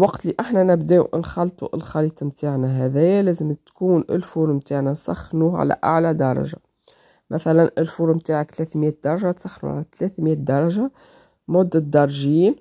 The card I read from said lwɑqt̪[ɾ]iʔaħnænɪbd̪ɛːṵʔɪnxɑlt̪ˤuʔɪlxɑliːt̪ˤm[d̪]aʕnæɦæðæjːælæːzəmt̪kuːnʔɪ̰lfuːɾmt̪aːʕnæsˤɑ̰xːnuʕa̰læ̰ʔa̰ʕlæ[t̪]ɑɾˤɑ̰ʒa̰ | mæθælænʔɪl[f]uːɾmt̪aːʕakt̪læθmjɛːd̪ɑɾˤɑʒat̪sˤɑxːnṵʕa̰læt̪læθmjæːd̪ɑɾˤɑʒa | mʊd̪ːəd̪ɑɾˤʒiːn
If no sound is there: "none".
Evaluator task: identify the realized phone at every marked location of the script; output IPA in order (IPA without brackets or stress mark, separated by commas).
l, t̪, d̪, f